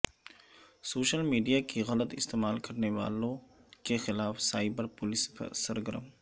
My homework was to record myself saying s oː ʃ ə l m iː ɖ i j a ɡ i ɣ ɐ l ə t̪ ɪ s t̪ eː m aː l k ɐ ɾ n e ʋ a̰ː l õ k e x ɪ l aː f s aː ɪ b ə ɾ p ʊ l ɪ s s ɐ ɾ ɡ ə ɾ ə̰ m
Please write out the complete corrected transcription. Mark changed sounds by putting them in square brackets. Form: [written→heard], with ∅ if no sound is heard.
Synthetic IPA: s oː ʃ ə l m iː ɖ i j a [ɡ→k] i ɣ ɐ l ə t̪ ɪ s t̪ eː m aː l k ɐ ɾ n e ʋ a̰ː l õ k e x ɪ l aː f s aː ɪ b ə ɾ p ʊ l ɪ s s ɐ ɾ ɡ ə ɾ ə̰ m